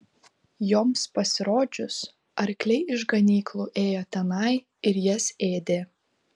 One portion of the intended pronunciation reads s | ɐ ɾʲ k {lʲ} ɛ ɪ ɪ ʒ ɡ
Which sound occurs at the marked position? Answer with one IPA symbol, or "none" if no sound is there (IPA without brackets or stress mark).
lʲ